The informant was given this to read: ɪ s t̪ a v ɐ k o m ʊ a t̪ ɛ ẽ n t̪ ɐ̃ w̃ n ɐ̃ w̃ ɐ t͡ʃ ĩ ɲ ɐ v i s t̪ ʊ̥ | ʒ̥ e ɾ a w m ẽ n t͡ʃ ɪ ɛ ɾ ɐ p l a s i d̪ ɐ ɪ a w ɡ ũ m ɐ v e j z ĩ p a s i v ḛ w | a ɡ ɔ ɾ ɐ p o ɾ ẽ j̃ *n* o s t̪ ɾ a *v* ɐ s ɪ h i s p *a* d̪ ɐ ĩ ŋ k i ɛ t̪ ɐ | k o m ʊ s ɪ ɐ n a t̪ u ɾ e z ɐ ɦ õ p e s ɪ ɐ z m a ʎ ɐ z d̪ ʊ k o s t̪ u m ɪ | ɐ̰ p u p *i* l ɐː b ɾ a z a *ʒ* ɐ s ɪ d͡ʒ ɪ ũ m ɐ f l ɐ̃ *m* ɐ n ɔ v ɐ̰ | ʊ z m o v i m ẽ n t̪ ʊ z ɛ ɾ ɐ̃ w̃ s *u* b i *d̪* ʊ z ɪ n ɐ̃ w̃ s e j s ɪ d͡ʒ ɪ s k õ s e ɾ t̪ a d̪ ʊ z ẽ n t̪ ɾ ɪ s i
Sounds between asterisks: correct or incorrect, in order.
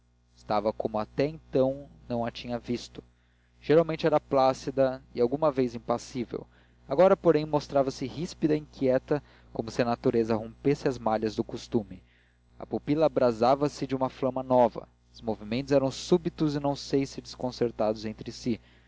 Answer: incorrect, correct, incorrect, correct, incorrect, correct, correct, incorrect

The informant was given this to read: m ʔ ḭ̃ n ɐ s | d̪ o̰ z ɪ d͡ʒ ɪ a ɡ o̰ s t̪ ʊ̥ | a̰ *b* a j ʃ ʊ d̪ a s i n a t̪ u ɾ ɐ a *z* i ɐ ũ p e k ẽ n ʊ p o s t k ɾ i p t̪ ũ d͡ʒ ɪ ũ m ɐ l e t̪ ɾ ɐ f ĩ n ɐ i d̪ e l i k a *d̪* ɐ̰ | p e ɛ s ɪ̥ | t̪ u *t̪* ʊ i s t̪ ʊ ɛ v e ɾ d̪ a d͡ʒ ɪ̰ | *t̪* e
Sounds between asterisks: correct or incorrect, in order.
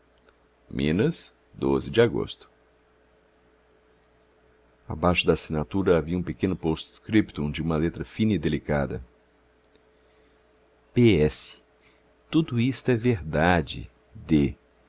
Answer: correct, incorrect, correct, incorrect, incorrect

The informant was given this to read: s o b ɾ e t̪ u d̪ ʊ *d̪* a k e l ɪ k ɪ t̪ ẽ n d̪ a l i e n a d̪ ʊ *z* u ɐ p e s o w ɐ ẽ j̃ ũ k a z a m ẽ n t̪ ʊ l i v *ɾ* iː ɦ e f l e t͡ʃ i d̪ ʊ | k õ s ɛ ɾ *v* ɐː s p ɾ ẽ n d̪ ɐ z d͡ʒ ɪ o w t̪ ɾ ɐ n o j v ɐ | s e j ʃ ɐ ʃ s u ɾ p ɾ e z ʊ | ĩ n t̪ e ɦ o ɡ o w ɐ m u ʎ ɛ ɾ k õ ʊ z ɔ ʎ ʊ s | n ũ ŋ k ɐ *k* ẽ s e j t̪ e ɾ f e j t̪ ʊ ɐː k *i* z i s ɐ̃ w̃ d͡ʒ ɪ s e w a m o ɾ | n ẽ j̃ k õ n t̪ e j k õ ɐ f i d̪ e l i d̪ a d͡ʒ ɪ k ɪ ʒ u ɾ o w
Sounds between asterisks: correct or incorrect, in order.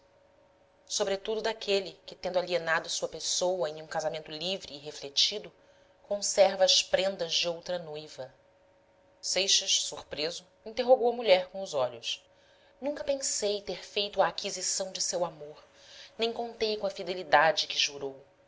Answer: correct, incorrect, correct, correct, incorrect, correct

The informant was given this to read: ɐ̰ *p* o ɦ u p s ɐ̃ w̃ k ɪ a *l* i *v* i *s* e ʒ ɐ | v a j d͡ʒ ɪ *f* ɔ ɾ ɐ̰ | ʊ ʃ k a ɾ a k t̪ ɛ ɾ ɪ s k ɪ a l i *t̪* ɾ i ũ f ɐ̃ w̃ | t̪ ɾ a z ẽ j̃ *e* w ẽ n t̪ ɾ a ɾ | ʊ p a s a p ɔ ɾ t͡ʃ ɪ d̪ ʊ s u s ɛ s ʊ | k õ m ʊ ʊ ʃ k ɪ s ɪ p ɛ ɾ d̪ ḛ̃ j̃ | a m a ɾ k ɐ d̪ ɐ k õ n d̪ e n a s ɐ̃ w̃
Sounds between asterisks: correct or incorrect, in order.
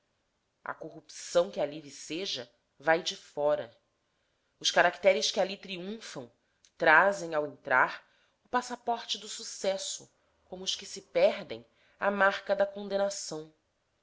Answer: incorrect, correct, correct, correct, correct, correct, incorrect

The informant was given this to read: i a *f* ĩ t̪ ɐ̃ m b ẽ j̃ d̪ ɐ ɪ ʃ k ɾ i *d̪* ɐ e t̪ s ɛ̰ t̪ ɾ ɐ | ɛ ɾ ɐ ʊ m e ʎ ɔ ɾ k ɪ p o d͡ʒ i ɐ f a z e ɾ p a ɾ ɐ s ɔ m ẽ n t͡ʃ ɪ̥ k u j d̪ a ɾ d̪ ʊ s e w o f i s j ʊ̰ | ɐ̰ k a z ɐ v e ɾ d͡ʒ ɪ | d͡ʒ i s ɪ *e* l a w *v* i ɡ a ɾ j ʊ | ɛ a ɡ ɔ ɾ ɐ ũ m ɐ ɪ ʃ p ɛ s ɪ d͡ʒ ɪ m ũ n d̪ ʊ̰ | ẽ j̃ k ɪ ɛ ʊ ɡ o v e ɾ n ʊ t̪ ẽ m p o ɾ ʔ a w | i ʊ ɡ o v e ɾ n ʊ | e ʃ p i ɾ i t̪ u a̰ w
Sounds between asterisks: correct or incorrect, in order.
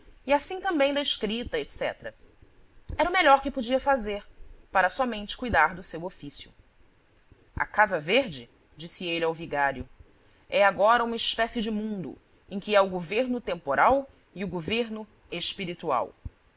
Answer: incorrect, incorrect, correct, correct

